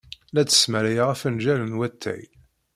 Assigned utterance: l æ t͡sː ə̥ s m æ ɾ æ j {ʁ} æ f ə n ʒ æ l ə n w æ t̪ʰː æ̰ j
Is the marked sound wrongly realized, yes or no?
no